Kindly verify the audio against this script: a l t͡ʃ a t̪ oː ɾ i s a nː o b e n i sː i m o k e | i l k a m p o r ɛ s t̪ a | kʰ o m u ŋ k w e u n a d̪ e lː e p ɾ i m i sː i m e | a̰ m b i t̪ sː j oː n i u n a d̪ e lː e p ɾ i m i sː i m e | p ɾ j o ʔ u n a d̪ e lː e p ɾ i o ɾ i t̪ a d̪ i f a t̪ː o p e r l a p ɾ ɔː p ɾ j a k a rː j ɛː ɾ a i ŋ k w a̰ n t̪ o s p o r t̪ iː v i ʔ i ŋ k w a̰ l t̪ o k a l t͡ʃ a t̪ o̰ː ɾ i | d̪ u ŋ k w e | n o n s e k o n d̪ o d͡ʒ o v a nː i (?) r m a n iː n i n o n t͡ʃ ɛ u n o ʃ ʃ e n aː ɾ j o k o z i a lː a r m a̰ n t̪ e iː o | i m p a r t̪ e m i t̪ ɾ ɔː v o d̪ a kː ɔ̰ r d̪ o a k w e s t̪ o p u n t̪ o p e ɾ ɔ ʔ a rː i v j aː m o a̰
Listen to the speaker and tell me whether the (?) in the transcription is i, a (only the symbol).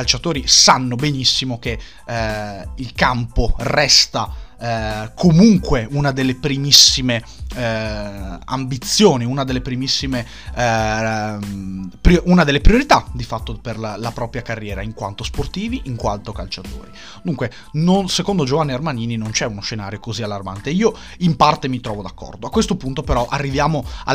a